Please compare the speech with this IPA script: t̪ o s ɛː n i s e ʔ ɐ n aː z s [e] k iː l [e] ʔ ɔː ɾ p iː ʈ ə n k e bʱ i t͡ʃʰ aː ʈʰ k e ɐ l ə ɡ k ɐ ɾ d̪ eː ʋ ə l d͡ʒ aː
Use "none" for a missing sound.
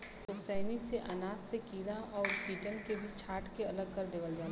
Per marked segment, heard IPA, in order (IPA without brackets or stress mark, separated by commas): e, a